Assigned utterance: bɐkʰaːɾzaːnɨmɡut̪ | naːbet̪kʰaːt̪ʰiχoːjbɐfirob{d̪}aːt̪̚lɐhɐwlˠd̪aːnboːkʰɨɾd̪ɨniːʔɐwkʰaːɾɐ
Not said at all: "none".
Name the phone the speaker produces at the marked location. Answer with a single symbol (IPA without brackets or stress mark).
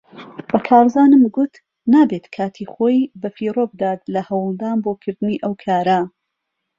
d̪